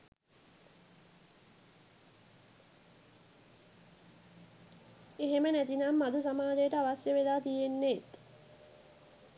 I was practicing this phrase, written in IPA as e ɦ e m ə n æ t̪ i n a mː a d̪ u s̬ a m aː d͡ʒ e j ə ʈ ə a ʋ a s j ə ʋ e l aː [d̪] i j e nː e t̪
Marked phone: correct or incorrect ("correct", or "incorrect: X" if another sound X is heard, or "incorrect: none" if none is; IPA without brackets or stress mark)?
incorrect: t̪